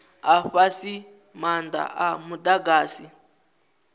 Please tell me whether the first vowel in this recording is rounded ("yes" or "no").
no